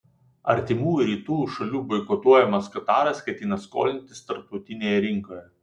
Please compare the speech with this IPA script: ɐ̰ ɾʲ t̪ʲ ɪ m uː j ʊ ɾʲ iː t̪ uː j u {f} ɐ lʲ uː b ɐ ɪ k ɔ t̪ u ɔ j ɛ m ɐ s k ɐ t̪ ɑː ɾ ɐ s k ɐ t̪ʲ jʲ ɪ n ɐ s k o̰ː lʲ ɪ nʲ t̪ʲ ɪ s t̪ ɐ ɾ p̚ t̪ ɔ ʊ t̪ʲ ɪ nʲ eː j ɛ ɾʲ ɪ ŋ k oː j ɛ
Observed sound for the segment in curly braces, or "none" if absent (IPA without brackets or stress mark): ʃ